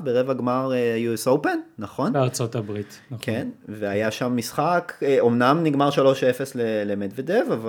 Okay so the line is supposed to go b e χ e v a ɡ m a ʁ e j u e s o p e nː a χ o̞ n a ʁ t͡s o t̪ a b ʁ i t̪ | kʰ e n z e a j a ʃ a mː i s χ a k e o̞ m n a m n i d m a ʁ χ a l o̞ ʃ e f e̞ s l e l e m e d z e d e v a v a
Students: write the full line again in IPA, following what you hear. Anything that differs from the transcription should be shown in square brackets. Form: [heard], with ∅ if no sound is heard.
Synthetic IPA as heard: b e [ʁ] e v a ɡ m a ʁ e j u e s o p e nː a χ o̞ n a ʁ t͡s o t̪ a b ʁ i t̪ | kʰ e n [v] e a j a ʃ a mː i s χ a k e o̞ m n a m n i [ɡ] m a ʁ [ʃ] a l o̞ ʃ e f e̞ s l e l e m e d [v] e d e v a v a